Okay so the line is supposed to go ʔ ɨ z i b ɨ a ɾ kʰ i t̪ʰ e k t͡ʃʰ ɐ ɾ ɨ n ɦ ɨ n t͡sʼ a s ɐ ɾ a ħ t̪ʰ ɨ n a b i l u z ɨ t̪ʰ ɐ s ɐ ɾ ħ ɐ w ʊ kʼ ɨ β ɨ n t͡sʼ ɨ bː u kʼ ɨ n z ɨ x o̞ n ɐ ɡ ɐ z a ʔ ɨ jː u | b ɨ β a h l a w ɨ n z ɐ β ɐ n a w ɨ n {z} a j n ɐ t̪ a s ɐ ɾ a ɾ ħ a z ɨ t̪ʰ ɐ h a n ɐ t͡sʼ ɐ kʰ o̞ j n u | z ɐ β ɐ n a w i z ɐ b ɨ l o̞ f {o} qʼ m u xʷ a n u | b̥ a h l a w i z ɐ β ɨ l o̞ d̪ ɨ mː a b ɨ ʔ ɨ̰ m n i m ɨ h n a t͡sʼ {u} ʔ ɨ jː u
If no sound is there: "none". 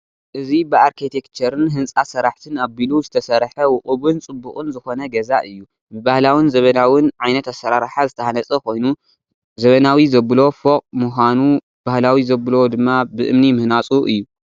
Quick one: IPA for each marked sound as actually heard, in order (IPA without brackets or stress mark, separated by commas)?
ʕ, o, u